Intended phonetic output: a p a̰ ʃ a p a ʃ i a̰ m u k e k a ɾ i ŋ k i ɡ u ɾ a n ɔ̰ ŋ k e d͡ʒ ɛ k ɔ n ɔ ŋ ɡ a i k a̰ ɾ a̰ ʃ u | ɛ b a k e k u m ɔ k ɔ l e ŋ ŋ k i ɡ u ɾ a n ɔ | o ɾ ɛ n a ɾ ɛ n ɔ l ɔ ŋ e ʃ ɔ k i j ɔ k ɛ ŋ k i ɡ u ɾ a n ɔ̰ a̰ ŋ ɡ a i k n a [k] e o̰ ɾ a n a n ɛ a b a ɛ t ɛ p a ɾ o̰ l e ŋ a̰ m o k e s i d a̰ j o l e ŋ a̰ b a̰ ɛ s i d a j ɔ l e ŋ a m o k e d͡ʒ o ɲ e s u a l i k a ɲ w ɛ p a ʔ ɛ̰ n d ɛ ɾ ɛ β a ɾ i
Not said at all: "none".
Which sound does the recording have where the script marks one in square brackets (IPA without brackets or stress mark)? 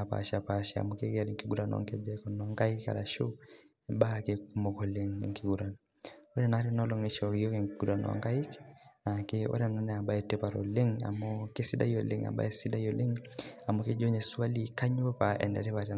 k